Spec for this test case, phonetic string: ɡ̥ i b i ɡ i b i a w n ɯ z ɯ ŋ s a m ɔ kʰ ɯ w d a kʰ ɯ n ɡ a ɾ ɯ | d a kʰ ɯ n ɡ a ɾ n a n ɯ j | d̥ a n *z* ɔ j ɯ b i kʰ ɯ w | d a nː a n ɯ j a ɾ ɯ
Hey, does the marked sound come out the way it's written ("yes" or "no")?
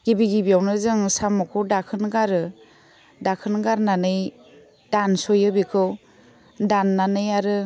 no